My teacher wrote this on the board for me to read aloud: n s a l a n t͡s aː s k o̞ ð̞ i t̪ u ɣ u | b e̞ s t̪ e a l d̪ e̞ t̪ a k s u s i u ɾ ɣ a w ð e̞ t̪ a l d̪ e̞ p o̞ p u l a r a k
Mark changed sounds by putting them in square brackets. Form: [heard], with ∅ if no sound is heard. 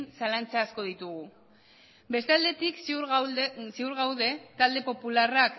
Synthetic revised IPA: n s a l a n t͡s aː s k o̞ ð̞ i t̪ u ɣ u | b e̞ s t̪ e a l d̪ e̞ t̪ [i] k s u s i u ɾ ɣ a w ð e̞ t̪ a l d̪ e̞ p o̞ p u l a r a k